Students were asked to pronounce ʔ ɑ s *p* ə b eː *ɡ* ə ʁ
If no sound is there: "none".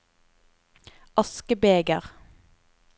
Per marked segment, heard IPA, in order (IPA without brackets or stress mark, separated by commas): k, ɡ